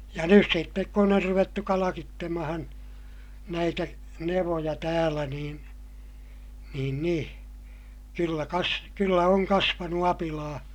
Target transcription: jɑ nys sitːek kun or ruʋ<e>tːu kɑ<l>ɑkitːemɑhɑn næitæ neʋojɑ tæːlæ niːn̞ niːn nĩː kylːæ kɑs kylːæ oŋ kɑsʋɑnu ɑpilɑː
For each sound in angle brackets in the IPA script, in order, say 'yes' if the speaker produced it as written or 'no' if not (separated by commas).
yes, yes